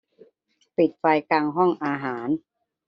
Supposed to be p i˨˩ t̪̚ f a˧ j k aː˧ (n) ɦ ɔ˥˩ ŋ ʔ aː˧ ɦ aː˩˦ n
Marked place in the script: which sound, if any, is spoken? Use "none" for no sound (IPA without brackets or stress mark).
ŋ